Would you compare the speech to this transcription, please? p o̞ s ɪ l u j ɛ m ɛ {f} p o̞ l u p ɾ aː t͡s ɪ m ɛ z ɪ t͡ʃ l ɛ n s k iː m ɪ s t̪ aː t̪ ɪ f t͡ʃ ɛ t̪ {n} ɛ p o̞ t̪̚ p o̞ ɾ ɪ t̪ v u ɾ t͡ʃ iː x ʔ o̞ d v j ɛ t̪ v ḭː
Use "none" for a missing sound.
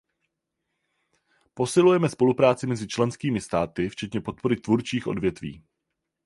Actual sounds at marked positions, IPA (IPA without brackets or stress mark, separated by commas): s, ɲ